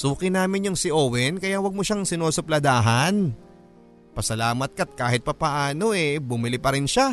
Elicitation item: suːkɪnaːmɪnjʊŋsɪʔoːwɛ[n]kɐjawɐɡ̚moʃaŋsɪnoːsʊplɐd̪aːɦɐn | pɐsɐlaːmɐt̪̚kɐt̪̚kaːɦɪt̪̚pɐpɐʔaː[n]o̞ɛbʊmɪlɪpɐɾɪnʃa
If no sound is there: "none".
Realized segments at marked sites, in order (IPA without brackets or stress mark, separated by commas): n, n